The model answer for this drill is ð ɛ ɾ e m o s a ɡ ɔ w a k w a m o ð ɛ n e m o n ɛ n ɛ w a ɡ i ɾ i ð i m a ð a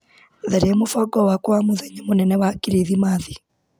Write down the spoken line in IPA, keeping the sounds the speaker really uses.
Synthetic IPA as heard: ð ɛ ɾ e m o f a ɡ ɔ w a k w a m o ð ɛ ɲ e m o n ɛ n ɛ w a k i ɾ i ð i m a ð i